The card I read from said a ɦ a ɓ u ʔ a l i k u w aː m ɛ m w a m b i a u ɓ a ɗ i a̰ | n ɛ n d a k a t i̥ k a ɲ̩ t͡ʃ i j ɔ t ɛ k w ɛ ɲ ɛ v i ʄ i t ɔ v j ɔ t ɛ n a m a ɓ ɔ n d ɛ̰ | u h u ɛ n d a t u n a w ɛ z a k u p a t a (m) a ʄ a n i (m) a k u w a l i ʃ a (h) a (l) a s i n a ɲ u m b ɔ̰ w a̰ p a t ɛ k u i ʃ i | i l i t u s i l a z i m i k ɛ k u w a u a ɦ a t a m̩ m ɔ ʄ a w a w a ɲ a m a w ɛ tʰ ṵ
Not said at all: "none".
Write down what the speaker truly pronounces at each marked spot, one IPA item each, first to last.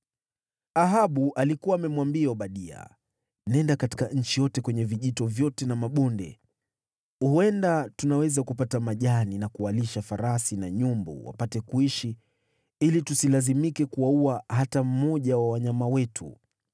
m, n, f, ɾ

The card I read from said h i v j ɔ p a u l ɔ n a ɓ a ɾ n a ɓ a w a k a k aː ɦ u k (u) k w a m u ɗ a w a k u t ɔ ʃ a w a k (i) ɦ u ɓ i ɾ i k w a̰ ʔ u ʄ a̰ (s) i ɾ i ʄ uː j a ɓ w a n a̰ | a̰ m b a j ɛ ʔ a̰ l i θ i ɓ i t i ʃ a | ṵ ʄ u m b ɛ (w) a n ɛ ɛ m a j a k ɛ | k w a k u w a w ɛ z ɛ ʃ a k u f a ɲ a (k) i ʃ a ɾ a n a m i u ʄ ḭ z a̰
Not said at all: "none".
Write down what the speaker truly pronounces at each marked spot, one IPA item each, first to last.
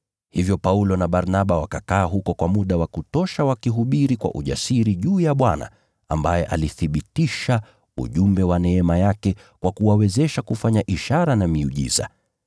ɔ, i, s, w, ʔ

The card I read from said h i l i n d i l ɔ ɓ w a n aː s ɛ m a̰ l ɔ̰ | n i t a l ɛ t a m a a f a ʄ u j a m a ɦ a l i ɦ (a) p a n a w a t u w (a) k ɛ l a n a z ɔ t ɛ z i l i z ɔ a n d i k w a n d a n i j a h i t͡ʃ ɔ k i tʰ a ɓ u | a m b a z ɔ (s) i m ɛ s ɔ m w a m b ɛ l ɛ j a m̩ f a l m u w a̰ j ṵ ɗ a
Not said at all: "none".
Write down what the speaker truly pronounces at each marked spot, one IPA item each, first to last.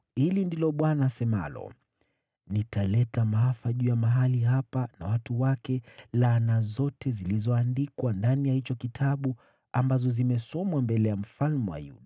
a, a, z

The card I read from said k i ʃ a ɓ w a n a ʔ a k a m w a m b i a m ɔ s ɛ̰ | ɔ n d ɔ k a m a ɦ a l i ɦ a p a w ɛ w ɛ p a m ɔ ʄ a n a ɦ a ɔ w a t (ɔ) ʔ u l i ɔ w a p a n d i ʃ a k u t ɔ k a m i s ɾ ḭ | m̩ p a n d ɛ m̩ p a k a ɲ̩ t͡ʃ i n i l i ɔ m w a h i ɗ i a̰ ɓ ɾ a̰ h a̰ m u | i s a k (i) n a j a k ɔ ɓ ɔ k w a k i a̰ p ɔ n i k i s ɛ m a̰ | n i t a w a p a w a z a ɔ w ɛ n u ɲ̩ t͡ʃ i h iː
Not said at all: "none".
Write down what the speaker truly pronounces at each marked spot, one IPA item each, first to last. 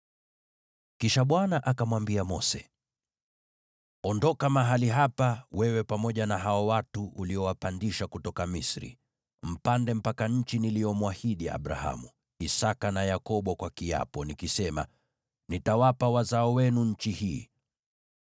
u, a

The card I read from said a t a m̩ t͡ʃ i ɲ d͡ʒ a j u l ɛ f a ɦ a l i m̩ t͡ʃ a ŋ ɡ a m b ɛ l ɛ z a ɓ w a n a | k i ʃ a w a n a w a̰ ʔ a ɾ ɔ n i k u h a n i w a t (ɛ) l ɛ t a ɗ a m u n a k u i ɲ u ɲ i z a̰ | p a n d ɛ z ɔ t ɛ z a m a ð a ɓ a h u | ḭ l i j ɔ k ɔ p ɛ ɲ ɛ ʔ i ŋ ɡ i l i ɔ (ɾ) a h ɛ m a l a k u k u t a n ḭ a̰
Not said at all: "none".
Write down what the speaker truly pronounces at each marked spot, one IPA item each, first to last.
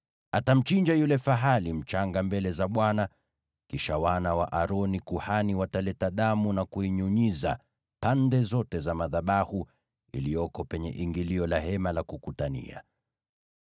a, l

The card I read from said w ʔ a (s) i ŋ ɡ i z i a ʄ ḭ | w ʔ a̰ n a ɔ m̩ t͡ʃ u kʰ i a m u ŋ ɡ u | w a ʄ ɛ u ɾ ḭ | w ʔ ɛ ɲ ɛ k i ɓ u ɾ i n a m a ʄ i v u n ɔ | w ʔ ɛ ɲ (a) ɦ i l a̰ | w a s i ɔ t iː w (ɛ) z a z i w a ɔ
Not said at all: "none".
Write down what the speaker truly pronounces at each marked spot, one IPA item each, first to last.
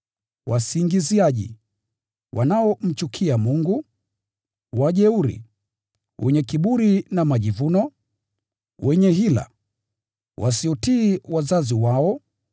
s, ɛ, a

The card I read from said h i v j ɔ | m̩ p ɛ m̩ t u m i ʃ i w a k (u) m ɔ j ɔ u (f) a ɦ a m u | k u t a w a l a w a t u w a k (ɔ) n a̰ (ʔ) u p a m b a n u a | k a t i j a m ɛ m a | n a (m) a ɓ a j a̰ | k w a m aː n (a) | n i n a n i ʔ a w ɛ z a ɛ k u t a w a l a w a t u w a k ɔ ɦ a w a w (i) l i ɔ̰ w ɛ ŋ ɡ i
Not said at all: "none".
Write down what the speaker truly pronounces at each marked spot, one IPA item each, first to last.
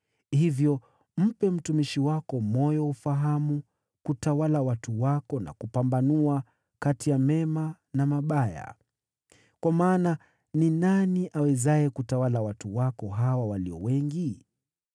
ɔ, f, ɔ, k, m, a, a

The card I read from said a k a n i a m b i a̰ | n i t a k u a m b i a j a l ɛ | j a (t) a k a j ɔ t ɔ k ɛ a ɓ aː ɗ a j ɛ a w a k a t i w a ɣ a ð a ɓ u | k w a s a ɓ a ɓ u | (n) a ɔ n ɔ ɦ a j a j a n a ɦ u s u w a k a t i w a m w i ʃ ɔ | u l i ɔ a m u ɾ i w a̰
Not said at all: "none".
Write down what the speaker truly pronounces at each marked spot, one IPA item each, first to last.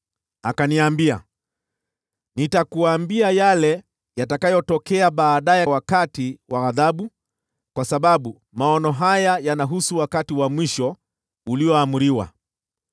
t, m

